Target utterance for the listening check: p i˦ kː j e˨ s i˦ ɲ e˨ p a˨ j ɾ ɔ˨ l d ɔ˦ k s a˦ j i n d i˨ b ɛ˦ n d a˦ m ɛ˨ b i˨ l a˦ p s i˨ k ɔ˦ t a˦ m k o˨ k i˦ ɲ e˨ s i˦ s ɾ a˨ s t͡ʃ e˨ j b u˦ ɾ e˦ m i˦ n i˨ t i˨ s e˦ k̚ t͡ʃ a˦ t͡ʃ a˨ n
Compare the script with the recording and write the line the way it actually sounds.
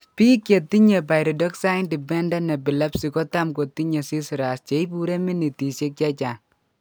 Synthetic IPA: p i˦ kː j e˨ t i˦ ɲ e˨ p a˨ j ɾ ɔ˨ d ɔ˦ k s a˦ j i n d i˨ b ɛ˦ n d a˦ n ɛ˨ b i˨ l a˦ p s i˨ k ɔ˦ t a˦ m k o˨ t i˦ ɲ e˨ s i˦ s ɾ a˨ s t͡ʃ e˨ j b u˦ ɾ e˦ m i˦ n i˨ t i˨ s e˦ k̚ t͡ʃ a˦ t͡ʃ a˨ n